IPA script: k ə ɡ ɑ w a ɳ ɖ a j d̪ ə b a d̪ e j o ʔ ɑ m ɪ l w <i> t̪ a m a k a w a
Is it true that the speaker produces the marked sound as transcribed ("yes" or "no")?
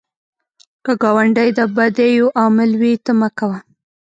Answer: yes